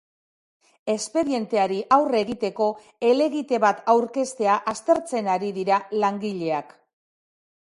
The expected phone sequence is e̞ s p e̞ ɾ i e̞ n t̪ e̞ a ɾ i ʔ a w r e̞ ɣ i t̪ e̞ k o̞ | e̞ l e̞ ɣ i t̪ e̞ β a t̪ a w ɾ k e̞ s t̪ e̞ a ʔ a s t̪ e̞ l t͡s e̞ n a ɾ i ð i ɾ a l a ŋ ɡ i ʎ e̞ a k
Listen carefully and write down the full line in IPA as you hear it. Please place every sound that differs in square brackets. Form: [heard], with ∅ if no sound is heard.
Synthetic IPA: e̞ s p e̞ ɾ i e̞ n t̪ e̞ a ɾ i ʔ a w r e̞ ɣ i t̪ e̞ k o̞ | e̞ l e̞ ɣ i t̪ e̞ β a t̪ a w ɾ k e̞ s t̪ e̞ a ʔ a s t̪ e̞ [ɾ] t͡s e̞ n a ɾ i ð i ɾ a l a ŋ ɡ i ʎ e̞ a k